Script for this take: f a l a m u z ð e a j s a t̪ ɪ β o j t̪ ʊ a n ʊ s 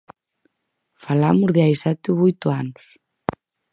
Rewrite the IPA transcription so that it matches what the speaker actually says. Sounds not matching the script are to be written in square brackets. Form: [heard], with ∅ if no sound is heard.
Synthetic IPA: f a l a m [ʊ] z ð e a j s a t̪ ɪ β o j t̪ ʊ a n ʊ s